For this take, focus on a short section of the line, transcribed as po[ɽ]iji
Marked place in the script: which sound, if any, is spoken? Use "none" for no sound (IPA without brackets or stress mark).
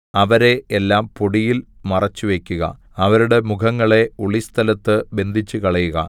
ɽ